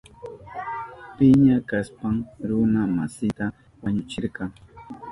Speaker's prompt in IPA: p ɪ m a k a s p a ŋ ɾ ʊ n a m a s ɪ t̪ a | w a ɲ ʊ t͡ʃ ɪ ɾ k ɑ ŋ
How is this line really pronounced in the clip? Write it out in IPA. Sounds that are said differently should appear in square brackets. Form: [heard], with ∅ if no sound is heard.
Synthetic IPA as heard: p ɪ [ɲ] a k a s p a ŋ ɾ ʊ n a m a s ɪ t̪ a | w a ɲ ʊ t͡ʃ ɪ ɾ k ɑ ŋ